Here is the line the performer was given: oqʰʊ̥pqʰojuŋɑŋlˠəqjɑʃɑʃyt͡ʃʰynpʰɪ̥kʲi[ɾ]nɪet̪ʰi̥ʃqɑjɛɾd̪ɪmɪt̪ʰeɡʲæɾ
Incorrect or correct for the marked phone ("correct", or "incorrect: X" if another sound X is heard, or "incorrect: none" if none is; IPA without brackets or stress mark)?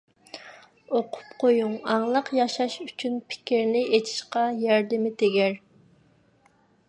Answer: correct